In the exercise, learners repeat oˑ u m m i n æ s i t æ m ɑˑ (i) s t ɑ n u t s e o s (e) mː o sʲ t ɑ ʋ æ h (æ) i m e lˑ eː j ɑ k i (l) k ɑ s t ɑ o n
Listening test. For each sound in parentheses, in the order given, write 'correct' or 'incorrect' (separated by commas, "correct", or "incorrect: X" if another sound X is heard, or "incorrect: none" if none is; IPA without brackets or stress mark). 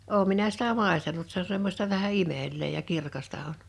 incorrect: e, correct, correct, incorrect: r